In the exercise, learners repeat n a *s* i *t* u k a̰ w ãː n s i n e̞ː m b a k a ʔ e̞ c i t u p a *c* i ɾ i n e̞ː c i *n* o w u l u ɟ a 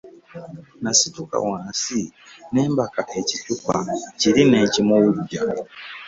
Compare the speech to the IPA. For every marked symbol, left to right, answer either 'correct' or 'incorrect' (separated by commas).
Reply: correct, correct, correct, incorrect